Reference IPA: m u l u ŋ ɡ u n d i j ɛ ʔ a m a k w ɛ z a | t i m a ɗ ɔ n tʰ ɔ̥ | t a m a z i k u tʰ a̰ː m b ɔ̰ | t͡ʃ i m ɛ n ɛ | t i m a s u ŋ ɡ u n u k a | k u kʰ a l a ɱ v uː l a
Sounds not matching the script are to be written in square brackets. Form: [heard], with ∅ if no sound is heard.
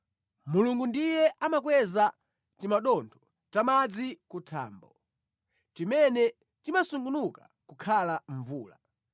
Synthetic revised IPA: m u l u ŋ ɡ u n d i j ɛ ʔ a m a k w ɛ z a | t i m a ɗ ɔ n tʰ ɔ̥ | t a m a [d͡z] i k u tʰ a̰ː m b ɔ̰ | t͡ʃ i m ɛ n ɛ | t i m a s u ŋ ɡ u n u k a | k u kʰ a l a ɱ v uː l a